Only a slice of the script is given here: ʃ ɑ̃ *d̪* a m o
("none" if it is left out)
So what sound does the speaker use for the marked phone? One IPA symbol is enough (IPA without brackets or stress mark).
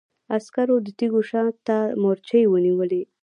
t̪